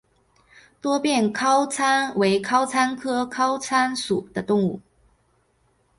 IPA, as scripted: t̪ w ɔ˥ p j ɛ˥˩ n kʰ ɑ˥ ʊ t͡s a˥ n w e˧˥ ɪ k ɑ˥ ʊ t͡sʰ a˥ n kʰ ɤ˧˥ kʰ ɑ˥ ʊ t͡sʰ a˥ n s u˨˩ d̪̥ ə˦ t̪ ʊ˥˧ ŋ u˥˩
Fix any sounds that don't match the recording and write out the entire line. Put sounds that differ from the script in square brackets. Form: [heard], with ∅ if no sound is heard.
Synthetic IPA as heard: t̪ w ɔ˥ p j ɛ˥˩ n kʰ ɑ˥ ʊ [t͡sʰ] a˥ n w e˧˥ ɪ [kʰ] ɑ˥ ʊ t͡sʰ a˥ n kʰ [ɤ˥] kʰ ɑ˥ ʊ t͡sʰ a˥ n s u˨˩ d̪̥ ə˦ t̪ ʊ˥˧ ŋ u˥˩

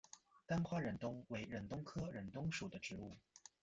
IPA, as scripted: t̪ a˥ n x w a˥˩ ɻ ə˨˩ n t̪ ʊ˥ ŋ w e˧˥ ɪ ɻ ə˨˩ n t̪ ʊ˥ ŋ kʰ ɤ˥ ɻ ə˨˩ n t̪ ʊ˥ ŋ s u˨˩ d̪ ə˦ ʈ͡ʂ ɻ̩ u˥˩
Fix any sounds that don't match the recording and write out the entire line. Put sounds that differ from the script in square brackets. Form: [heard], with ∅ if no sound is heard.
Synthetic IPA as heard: t̪ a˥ n x w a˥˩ ɻ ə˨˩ n t̪ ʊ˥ ŋ w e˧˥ ɪ ɻ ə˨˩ n t̪ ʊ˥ ŋ kʰ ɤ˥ ɻ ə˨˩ n t̪ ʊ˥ ŋ [ʂ] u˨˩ d̪ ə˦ ʈ͡ʂ ɻ̩ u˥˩

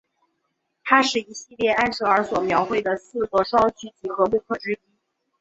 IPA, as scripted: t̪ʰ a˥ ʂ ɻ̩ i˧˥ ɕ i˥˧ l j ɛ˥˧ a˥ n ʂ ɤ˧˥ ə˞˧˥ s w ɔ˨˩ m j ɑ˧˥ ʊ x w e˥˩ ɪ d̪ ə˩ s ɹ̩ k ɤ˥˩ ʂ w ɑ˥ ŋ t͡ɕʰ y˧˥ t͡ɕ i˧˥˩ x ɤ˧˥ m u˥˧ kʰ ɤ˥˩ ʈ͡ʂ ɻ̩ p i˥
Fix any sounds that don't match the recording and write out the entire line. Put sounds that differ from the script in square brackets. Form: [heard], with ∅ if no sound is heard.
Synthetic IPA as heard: t̪ʰ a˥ ʂ ɻ̩ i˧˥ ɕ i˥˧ l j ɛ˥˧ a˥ n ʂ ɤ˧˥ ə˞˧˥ s w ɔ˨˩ m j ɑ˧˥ ʊ x w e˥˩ ɪ d̪ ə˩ s ɹ̩ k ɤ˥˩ ʂ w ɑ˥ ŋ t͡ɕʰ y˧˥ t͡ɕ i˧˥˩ x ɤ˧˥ m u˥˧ kʰ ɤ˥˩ ʈ͡ʂ ɻ̩ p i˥

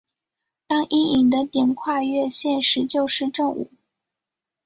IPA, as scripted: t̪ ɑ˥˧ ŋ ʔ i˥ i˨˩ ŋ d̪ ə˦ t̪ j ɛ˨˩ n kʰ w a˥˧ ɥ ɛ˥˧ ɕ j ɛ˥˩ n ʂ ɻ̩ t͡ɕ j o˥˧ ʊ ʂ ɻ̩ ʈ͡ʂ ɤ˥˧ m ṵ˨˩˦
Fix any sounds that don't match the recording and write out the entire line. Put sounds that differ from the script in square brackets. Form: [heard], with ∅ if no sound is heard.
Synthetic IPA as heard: t̪ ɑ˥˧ ŋ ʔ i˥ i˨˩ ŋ d̪ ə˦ t̪ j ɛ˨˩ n kʰ w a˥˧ ɥ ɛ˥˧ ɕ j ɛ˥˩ n ʂ ɻ̩ t͡ɕ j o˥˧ ʊ ʂ ɻ̩ ʈ͡ʂ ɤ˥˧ [ŋ] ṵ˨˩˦

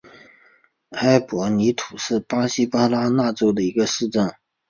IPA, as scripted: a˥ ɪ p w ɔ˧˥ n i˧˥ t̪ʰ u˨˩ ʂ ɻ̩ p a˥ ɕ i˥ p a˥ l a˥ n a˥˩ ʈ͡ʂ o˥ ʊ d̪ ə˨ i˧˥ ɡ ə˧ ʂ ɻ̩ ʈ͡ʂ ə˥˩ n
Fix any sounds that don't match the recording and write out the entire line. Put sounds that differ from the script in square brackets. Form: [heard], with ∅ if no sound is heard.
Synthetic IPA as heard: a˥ ɪ p w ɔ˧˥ n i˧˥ t̪ʰ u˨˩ ʂ ɻ̩ p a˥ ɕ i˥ p a˥ l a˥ n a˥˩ ʈ͡ʂ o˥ ʊ d̪ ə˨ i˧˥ ɡ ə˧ ʂ ɻ̩ ʈ͡ʂ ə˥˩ n

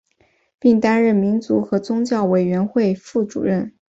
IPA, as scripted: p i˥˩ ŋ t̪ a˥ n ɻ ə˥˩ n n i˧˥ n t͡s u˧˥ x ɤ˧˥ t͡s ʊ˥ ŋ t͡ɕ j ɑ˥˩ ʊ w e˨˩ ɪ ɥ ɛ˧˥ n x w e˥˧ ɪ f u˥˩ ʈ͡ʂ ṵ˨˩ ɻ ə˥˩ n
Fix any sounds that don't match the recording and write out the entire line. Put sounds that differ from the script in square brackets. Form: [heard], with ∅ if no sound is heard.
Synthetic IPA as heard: p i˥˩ ŋ t̪ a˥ n ɻ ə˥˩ n [m] i˧˥ n t͡s u˧˥ x ɤ˧˥ t͡s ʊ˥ ŋ t͡ɕ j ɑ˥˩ ʊ w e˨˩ ɪ ɥ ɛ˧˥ n x w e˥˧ ɪ f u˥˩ ʈ͡ʂ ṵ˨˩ ɻ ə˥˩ n

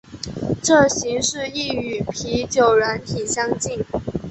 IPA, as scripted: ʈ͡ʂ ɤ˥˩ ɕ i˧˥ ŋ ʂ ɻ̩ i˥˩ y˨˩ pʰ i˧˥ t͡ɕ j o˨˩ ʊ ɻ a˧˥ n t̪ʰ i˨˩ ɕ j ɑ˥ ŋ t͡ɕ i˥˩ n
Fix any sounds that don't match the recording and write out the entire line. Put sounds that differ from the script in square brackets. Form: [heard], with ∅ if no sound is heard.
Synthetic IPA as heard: ʈ͡ʂ ɤ˥˩ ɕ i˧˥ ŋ ʂ ɻ̩ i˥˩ y˨˩ pʰ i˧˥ t͡ɕ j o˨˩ ʊ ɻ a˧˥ n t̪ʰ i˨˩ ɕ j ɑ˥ ŋ t͡ɕ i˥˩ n

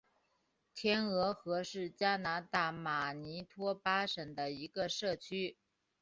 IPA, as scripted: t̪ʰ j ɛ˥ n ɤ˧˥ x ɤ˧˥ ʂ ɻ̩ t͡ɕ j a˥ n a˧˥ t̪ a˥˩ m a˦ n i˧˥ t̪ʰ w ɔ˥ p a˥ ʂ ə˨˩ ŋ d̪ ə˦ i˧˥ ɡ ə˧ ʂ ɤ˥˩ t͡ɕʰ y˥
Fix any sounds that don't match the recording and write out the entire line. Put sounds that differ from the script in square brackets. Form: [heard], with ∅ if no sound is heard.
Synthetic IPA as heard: t̪ʰ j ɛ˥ n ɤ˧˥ x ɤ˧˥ ʂ ɻ̩ t͡ɕ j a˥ n a˧˥ t̪ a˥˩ m [a˨˩] n i˧˥ t̪ʰ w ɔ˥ p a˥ ʂ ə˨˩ ŋ d̪ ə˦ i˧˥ ɡ ə˧ ʂ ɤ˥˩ t͡ɕʰ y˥

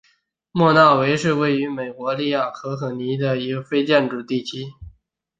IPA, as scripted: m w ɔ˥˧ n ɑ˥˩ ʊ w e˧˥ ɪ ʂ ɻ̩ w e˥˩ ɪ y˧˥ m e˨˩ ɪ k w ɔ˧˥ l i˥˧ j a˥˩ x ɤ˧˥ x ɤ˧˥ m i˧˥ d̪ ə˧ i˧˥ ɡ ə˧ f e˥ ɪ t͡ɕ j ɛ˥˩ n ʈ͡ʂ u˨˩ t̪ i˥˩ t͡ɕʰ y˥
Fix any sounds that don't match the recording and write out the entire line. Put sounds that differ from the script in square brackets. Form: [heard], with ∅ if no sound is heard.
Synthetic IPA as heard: m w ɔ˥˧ n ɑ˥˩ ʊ w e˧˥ ɪ ʂ ɻ̩ w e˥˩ ɪ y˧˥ m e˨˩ ɪ k w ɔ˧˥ l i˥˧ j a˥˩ x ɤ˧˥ x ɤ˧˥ [n] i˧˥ d̪ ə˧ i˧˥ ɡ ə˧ f e˥ ɪ t͡ɕ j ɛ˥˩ n ʈ͡ʂ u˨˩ t̪ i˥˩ t͡ɕʰ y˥

